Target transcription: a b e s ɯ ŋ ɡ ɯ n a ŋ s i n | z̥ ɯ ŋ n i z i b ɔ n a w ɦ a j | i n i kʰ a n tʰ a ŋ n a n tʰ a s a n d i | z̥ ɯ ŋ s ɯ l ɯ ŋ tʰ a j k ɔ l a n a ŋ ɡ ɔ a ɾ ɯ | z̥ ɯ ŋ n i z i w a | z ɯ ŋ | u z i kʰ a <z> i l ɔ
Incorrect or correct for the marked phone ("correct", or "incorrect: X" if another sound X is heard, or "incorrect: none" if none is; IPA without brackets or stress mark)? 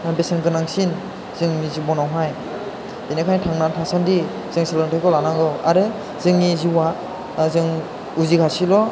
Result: incorrect: s